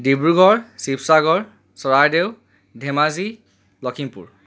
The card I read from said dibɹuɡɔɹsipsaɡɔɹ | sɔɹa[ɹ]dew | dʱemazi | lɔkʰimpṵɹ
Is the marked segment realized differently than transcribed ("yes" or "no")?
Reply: no